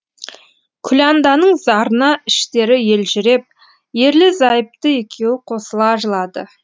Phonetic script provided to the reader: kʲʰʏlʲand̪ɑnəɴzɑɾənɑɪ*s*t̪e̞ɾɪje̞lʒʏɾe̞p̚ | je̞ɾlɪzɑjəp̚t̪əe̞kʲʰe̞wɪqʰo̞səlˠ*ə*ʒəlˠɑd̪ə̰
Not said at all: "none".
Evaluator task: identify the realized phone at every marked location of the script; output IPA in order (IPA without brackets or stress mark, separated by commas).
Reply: ʃ, ɑ